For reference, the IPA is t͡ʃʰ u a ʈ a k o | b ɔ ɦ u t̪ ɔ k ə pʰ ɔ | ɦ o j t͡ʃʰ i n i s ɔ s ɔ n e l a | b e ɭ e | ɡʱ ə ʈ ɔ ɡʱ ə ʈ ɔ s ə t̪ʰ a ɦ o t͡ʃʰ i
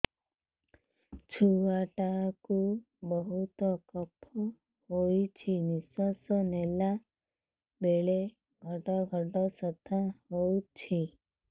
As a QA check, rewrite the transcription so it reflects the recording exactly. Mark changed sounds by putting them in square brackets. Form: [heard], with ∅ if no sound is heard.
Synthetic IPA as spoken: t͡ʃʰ u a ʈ a k [u] | b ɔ ɦ u t̪ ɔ k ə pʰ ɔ | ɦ o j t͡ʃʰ i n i s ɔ s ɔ n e l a | b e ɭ e | ɡʱ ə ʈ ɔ ɡʱ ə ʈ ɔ s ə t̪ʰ a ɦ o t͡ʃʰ i